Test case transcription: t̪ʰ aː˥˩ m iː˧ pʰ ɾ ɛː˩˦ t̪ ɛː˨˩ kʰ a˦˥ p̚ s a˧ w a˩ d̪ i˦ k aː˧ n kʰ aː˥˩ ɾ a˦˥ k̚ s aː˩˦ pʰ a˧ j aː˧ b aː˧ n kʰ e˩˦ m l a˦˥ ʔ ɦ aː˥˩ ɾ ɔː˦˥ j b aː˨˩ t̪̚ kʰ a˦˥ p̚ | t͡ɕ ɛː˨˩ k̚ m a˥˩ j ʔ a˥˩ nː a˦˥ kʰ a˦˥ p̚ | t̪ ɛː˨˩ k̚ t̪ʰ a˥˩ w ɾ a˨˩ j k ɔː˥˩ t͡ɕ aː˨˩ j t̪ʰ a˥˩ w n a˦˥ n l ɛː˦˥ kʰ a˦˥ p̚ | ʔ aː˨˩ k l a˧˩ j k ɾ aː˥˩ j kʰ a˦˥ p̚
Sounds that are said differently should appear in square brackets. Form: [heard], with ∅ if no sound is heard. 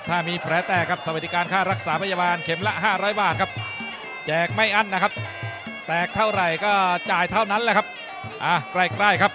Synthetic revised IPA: t̪ʰ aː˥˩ m iː˧ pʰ ɾ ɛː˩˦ t̪ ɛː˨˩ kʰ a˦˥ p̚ s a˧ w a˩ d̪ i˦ k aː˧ n kʰ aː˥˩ ɾ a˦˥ k̚ s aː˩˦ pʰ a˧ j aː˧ b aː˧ n kʰ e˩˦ m l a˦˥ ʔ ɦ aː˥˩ ɾ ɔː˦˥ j b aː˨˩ t̪̚ kʰ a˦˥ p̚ | t͡ɕ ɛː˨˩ k̚ m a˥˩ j ʔ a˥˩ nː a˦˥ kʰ a˦˥ p̚ | t̪ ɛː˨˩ k̚ t̪ʰ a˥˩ w ɾ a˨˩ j k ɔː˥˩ t͡ɕ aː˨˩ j t̪ʰ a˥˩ w n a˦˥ n l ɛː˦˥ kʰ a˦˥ p̚ | ʔ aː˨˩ k [ɾ] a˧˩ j k ɾ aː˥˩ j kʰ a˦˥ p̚

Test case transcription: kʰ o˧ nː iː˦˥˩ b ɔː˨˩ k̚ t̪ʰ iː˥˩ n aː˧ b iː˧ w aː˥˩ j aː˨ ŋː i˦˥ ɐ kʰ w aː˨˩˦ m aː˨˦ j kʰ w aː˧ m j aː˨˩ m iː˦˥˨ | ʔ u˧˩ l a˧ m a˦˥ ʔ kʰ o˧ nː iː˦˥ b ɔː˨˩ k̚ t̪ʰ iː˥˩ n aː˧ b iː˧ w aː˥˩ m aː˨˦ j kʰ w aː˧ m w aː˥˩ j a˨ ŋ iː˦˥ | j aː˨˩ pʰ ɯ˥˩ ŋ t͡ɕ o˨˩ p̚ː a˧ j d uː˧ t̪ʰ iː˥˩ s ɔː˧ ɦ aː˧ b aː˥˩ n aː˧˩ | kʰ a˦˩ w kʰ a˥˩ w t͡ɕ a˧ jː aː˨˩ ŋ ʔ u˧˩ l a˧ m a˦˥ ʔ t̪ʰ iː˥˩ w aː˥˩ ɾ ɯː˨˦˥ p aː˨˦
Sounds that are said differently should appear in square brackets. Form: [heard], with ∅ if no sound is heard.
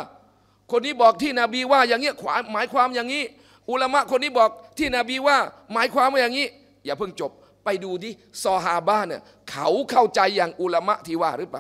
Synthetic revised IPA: kʰ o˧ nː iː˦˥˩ b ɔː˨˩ k̚ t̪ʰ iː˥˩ n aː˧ b iː˧ w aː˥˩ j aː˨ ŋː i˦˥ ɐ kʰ w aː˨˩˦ m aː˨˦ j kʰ w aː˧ m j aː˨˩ [ŋ] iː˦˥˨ | ʔ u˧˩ l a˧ m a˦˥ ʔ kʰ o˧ nː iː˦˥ b ɔː˨˩ k̚ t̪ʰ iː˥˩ n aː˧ b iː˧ w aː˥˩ m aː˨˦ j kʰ w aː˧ m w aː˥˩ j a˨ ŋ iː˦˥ | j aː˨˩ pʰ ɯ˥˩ ŋ t͡ɕ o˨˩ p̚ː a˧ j d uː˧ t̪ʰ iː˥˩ s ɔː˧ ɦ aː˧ b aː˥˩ n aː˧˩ | kʰ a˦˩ w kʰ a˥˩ w t͡ɕ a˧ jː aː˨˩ ŋ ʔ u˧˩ l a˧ m a˦˥ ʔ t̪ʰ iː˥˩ w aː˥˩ ɾ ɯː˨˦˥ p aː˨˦

